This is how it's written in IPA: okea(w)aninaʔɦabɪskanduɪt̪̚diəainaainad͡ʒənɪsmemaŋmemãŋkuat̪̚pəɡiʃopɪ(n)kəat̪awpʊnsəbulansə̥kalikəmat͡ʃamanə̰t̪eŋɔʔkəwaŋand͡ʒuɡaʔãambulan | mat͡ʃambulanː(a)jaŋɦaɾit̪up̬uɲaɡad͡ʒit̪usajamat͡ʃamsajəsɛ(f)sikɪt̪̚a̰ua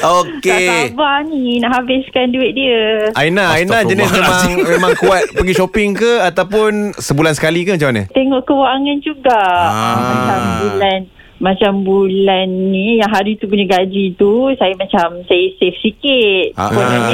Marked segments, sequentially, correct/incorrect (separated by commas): incorrect, incorrect, incorrect, correct